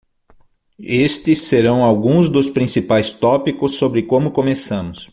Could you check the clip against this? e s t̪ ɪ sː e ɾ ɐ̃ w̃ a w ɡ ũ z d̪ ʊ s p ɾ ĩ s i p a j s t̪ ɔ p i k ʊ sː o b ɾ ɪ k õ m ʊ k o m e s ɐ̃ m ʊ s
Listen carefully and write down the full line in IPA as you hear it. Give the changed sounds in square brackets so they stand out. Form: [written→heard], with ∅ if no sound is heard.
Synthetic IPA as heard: e s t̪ ɪ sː e ɾ ɐ̃ w̃ a w ɡ ũ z d̪ ʊ s p ɾ ĩ s i p a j s t̪ ɔ p i k ʊ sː o b ɾ ɪ k õ m ʊ k o m e s ɐ̃ m ʊ s